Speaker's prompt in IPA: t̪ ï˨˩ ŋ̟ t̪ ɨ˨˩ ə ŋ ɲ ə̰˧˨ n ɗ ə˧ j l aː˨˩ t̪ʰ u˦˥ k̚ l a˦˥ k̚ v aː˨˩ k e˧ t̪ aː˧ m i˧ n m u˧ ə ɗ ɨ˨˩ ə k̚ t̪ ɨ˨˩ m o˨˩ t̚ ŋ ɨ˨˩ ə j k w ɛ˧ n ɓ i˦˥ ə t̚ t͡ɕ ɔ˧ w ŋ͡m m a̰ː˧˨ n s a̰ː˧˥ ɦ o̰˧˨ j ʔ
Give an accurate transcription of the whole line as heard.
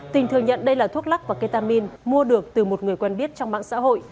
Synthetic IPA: t̪ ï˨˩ ŋ̟ t̪ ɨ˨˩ ə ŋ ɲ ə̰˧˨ n ɗ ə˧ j l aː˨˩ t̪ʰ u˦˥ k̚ l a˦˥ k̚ v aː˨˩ k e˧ t̪ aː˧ m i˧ n m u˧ ə ɗ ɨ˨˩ ə k̚ t̪ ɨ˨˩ m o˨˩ t̚ ŋ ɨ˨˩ ə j k w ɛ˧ n ɓ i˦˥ ə t̚ t͡ɕ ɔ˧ w ŋ͡m m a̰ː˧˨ ŋ s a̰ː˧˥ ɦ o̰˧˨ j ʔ